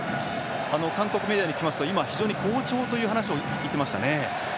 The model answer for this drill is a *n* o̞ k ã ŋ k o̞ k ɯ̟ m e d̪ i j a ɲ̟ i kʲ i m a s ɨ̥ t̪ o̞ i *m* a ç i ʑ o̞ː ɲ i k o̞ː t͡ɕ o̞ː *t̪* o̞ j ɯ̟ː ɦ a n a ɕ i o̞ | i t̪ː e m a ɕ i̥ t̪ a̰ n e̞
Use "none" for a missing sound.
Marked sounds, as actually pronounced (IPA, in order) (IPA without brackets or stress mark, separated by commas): n, m, t̪